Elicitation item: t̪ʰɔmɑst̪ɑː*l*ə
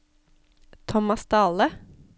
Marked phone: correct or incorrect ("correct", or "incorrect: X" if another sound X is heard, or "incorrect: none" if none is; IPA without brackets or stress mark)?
correct